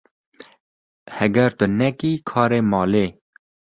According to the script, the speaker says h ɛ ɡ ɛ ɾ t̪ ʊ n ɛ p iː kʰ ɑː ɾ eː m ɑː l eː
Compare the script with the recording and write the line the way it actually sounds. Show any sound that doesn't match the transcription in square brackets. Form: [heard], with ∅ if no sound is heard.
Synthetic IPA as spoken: h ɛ ɡ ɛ ɾ t̪ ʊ n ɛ [k] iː kʰ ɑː ɾ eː m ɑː l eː

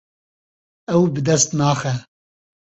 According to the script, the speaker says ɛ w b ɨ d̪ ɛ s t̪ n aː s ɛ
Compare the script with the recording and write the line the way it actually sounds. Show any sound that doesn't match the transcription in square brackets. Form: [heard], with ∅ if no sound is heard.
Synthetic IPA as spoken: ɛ w b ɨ d̪ ɛ s t̪ n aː [x] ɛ

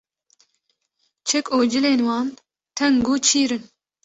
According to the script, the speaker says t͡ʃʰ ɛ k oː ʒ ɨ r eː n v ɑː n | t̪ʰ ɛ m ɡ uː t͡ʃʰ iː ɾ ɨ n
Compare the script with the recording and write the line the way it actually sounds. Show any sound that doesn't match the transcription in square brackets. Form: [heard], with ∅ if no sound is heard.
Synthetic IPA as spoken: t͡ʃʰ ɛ k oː [d͡ʒ] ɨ [l] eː n [w] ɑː n | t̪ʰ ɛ [ŋ] ɡ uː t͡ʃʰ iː ɾ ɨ n

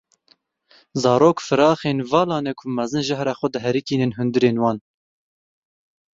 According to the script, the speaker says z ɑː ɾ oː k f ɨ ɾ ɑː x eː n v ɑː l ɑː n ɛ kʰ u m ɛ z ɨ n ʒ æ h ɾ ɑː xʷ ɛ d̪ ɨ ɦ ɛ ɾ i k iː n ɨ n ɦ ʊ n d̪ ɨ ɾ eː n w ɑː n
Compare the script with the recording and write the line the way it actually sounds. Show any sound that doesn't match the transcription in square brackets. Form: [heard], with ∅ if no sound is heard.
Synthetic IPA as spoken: z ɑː ɾ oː k f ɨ ɾ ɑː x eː n v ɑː l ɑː n ɛ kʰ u m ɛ z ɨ n ʒ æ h ɾ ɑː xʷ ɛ d̪ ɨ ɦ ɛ ɾ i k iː n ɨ n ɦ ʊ n d̪ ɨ ɾ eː n w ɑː n

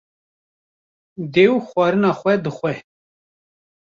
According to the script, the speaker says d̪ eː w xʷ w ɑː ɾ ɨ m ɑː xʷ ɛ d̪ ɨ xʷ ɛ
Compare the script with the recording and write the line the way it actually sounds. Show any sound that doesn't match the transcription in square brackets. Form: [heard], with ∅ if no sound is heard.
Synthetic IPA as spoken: d̪ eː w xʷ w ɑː ɾ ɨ [n] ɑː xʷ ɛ d̪ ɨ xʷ ɛ

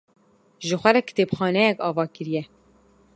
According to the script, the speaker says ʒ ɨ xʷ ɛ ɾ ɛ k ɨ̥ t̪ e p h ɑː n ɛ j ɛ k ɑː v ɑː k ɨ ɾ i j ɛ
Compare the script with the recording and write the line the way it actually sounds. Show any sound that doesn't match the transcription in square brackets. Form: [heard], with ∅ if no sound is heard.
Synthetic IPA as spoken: ʒ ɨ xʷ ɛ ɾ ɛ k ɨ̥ t̪ e p [x] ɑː n ɛ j ɛ k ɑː v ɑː k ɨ ɾ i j ɛ

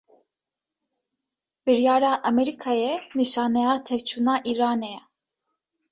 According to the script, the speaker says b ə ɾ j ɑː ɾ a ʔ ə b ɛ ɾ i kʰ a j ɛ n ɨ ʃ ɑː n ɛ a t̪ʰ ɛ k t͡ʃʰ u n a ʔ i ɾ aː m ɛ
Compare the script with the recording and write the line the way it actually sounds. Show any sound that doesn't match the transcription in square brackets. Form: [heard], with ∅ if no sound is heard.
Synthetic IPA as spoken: b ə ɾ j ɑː ɾ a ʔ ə [m] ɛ ɾ i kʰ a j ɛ n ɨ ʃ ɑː n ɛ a t̪ʰ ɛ k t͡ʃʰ u n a ʔ i ɾ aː [n] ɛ

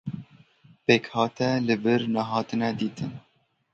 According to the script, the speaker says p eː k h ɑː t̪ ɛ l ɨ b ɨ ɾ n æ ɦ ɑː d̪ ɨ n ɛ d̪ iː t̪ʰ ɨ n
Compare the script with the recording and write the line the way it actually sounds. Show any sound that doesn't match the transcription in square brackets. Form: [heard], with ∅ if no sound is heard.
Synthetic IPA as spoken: p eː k h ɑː t̪ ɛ l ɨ b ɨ ɾ n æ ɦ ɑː [t̪] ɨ n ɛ d̪ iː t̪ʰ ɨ n

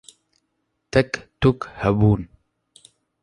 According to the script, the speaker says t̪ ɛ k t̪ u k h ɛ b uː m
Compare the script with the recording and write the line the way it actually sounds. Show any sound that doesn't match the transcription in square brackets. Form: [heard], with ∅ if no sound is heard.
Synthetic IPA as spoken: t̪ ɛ k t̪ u k h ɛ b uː [n]

